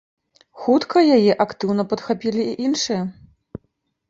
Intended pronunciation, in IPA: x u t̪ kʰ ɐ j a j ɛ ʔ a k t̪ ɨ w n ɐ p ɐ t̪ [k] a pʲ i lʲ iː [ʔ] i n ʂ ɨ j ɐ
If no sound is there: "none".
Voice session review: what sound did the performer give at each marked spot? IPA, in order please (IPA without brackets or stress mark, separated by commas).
x, ʔ